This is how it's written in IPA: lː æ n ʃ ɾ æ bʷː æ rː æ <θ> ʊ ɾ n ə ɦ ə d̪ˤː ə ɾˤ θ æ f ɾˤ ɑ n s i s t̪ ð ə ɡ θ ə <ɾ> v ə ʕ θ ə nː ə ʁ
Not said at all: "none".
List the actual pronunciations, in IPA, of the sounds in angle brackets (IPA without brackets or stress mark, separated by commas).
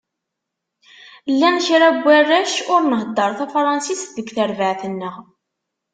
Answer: ʃ, ɾ